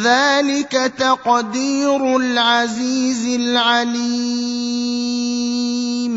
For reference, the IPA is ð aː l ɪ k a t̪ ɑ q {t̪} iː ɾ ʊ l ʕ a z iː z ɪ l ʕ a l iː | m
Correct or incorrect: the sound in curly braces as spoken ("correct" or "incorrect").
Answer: incorrect